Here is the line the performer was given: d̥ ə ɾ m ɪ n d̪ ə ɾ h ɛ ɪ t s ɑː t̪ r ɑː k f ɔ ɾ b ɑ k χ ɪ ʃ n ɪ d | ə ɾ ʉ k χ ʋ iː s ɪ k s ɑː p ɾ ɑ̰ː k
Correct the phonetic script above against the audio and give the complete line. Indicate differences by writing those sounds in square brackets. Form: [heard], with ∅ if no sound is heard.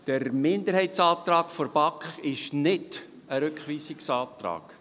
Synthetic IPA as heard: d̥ ə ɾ m ɪ n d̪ ə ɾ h ɛ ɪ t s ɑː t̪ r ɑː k f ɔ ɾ b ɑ k χ ɪ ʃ n ɪ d | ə ɾ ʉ k χ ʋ iː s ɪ k s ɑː [t] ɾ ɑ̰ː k